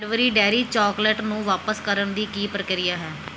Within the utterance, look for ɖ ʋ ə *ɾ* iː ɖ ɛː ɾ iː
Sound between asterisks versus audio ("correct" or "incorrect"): correct